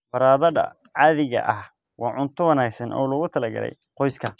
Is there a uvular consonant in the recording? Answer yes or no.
yes